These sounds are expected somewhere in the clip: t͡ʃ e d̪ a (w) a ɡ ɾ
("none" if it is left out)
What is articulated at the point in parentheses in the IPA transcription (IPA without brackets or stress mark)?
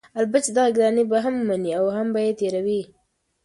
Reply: ɣ